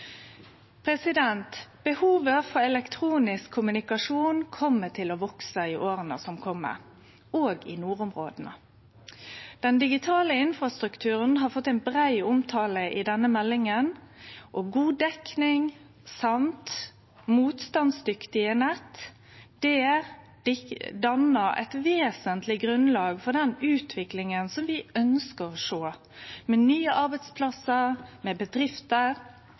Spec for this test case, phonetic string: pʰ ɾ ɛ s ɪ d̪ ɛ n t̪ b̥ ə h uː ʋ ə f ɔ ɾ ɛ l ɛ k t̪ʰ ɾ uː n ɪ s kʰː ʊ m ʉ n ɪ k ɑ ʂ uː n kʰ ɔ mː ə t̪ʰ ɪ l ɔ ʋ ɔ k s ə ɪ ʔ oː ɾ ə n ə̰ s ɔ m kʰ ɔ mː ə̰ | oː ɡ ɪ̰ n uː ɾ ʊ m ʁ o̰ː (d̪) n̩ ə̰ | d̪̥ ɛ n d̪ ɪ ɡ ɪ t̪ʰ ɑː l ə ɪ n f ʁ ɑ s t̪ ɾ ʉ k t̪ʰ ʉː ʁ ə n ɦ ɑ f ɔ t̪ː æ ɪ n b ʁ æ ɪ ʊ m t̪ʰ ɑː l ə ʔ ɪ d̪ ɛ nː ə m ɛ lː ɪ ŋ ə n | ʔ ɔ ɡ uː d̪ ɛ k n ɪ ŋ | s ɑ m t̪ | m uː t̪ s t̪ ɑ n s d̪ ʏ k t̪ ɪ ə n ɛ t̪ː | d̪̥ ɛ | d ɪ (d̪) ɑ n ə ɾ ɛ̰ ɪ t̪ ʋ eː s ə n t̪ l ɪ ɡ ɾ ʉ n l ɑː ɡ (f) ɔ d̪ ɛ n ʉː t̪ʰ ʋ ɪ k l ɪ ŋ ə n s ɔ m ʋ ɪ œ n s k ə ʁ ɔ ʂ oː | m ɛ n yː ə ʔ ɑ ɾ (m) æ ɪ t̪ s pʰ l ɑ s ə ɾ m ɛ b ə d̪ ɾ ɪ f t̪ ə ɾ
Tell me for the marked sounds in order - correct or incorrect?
correct, correct, correct, incorrect: b

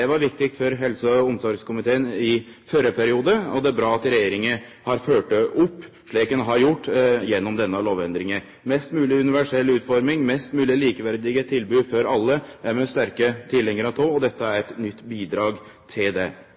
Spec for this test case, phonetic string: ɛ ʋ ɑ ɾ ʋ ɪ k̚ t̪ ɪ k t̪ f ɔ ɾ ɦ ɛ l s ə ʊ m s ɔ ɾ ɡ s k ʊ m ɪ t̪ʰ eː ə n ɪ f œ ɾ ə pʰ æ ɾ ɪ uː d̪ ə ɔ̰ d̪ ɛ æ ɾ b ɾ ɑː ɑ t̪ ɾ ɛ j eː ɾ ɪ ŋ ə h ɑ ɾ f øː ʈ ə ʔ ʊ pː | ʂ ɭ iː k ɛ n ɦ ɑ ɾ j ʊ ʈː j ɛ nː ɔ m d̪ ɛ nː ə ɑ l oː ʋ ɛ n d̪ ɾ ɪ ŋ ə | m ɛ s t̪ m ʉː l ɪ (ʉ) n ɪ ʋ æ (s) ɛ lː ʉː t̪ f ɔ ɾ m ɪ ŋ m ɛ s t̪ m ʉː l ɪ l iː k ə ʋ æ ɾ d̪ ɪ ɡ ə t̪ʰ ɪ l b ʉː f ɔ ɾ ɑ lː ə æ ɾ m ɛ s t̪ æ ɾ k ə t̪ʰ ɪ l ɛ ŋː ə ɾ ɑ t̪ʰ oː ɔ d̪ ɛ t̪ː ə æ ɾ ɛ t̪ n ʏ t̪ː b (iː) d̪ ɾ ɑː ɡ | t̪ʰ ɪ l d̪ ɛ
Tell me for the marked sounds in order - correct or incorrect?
correct, incorrect: ʂ, correct

